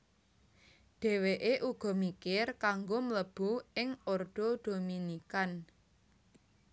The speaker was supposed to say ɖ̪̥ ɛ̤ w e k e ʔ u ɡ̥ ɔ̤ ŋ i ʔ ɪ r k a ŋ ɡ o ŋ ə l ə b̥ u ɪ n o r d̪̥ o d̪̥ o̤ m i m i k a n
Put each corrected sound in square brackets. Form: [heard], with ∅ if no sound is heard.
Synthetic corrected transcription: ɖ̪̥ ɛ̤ w e [ʔ] e ʔ u ɡ̥ ɔ̤ [m] i [k] ɪ r k a ŋ ɡ o [m] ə l ə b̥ u ɪ [ŋ] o r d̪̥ o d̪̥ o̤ m i [n] i k a n